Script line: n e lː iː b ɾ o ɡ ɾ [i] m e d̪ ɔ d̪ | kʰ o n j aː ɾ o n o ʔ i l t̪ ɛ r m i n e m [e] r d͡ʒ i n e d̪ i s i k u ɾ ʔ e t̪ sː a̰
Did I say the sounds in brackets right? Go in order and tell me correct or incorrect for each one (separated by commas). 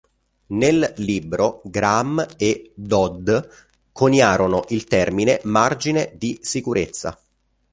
incorrect, incorrect